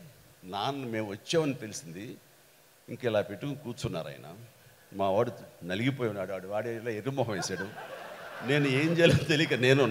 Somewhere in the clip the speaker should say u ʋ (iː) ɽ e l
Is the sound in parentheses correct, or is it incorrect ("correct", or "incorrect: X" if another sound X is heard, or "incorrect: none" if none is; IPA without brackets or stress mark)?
incorrect: aː